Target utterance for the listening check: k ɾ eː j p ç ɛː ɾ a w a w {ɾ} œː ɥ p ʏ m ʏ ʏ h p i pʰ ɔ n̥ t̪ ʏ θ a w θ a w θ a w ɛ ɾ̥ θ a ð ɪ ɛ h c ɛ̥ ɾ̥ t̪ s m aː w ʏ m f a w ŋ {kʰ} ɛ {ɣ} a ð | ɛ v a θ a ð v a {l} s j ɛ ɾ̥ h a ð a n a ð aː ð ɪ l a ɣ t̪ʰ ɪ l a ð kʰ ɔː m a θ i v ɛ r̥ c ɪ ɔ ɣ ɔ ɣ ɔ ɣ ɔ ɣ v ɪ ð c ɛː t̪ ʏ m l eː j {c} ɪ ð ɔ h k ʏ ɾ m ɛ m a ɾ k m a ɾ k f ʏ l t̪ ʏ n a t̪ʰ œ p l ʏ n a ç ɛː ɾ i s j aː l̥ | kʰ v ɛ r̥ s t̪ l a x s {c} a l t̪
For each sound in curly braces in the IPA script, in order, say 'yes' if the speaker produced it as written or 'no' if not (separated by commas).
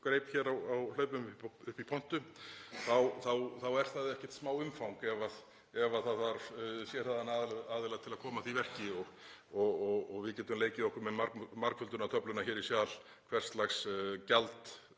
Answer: no, no, no, no, yes, yes